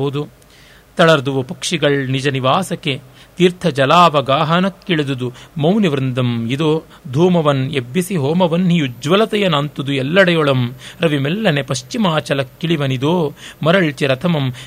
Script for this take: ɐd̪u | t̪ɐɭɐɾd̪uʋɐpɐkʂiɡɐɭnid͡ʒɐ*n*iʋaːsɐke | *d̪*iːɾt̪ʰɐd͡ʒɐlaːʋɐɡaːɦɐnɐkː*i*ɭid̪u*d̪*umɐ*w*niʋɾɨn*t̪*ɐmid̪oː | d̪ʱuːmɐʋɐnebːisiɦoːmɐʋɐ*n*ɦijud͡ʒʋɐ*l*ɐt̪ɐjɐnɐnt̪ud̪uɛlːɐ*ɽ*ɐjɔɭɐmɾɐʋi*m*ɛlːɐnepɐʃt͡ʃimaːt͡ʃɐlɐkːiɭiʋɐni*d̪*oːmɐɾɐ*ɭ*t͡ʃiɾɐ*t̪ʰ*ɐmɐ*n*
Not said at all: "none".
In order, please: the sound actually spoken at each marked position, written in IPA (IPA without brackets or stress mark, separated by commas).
n, t̪, i, d̪, w, d̪, n, l, ɽ, m, d̪, ɭ, t̪ʰ, m